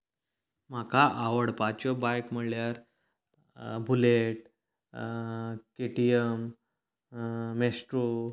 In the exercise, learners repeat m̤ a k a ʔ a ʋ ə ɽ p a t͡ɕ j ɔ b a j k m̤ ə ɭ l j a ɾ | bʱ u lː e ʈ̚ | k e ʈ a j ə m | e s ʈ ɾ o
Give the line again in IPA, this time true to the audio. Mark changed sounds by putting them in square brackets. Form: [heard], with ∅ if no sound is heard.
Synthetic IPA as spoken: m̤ a k a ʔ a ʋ ə ɽ p a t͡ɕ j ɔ b a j k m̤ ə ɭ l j a ɾ | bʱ u [l] e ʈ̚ | k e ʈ [i] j ə m | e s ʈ ɾ o

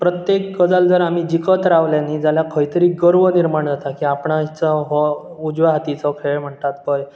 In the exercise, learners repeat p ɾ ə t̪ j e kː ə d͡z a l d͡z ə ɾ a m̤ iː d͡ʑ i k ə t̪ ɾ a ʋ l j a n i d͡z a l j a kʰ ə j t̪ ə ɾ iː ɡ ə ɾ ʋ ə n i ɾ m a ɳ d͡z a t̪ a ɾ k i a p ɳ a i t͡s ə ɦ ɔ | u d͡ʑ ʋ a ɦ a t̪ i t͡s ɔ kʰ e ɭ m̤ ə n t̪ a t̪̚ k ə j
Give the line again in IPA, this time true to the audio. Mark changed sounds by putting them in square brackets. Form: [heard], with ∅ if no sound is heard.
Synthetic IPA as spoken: p ɾ ə t̪ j e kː ə d͡z a l d͡z ə ɾ a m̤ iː d͡ʑ i k ə t̪ ɾ a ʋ l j a n i d͡z a l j a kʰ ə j t̪ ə ɾ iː ɡ ə ɾ ʋ ə n i ɾ m a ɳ d͡z a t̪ a [∅] k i a p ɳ a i t͡s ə ɦ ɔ | u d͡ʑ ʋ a ɦ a t̪ i t͡s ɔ kʰ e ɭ m̤ ə [ɳ] t̪ a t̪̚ k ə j

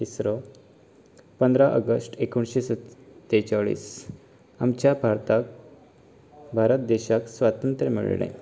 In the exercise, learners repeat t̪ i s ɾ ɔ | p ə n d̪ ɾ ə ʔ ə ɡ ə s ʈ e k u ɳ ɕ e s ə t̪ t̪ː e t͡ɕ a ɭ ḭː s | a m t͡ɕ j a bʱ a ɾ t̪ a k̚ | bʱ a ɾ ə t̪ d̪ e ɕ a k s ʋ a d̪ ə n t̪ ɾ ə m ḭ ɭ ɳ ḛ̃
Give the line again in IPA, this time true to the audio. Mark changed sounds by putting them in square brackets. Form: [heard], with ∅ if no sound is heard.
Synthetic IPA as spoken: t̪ i s ɾ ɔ | p ə n d̪ ɾ [a] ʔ ə ɡ ə s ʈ e k u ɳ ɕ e s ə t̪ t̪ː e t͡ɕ a ɭ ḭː s | a m t͡ɕ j a bʱ a ɾ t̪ a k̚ | bʱ a ɾ ə t̪ d̪ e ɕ a k s ʋ a [t̪] ə n t̪ ɾ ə m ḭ ɭ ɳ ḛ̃

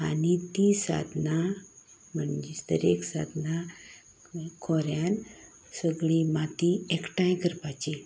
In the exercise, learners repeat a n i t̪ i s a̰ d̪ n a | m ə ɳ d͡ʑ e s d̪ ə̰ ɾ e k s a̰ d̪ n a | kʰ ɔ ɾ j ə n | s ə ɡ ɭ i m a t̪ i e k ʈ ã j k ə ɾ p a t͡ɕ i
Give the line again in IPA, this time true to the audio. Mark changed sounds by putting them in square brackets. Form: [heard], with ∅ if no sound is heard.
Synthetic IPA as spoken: a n i t̪ i s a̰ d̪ n a | m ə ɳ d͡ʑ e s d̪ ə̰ ɾ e k s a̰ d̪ n a | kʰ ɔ ɾ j [a] n | s ə ɡ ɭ i m a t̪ i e k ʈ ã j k ə ɾ p a t͡ɕ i

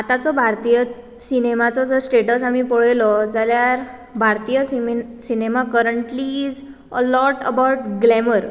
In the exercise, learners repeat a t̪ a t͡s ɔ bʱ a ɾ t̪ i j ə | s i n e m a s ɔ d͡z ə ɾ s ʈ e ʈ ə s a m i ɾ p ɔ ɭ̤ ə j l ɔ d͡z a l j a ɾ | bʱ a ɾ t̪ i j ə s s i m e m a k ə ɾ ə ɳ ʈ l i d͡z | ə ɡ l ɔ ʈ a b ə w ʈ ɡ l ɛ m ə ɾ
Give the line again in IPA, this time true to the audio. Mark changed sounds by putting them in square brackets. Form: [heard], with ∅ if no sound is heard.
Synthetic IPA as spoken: a t̪ a t͡s ɔ bʱ a ɾ t̪ i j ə | s i n e m a [t͡s] ɔ d͡z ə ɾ s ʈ e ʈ ə s a m i [∅] p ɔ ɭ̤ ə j l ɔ d͡z a l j a ɾ | bʱ a ɾ t̪ i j ə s s i [n] e m a k ə ɾ ə ɳ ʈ l i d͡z | ə [∅] l ɔ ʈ [ə] b [a] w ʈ ɡ l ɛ m ə ɾ

